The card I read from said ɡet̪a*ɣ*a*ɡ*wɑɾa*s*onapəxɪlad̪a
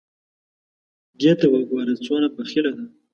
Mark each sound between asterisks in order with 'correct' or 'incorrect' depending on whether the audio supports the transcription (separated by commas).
incorrect, correct, incorrect